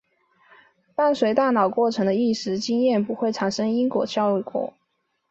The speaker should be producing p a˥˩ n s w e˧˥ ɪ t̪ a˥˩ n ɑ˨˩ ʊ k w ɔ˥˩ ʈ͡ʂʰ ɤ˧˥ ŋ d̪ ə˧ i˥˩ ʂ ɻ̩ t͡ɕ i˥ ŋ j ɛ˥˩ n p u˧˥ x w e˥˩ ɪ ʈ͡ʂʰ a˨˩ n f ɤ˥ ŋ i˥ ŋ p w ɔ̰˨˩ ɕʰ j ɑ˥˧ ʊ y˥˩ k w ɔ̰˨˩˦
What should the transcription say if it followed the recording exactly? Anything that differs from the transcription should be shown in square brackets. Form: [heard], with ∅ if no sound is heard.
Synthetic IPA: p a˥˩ n s w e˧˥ ɪ t̪ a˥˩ n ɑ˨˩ ʊ k w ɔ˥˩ ʈ͡ʂʰ ɤ˧˥ ŋ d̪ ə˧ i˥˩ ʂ ɻ̩ t͡ɕ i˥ ŋ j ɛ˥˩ n p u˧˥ x w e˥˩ ɪ ʈ͡ʂʰ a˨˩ n [ʂ] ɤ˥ ŋ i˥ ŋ [k] w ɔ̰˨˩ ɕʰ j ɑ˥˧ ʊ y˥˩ k w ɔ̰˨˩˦